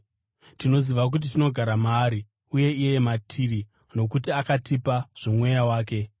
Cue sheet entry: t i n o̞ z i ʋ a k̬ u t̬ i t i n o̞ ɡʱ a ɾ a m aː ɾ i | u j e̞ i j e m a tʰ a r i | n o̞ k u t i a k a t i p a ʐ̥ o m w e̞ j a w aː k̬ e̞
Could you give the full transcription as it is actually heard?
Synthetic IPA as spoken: t i n o̞ z i ʋ a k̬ u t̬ i t i n o̞ ɡʱ a ɾ a m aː ɾ i | u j e̞ i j e m a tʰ i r i | n o̞ k u t i a k a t i p a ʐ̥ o m w e̞ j a w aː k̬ e̞